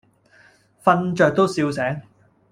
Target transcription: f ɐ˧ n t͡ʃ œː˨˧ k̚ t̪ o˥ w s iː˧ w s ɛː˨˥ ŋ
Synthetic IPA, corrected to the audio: f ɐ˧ n t͡ʃ œː˨˧ k̚ t̪ o˥ w s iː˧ w s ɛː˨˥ ŋ